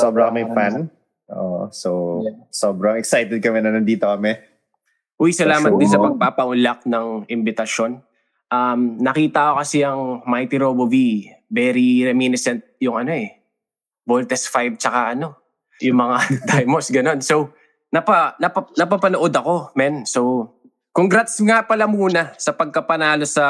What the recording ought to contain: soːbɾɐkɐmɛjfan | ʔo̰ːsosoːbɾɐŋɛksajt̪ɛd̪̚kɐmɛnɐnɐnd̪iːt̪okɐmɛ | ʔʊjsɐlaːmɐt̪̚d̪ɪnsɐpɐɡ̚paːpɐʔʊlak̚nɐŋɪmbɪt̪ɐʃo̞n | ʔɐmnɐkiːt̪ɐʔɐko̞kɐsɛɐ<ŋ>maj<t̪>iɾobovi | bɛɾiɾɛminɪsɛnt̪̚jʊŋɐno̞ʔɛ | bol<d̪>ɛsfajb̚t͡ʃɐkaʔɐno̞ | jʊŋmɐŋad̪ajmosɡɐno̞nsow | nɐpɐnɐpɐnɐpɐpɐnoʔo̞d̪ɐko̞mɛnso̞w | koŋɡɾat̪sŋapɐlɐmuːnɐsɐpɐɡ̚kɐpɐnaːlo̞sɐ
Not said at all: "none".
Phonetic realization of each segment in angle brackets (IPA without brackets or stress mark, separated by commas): ŋ, t̪, t̪